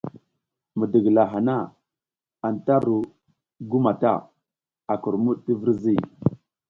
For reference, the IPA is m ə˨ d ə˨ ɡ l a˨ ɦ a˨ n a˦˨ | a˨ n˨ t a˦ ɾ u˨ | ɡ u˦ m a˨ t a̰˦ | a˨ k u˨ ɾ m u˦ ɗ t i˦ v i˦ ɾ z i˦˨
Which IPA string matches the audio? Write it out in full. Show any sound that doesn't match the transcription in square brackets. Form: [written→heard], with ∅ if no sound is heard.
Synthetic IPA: m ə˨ d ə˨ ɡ l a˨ ɦ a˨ n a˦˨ | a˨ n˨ t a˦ ɾ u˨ | ɡ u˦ m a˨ t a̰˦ | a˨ k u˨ ɾ m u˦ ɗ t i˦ v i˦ ɾ z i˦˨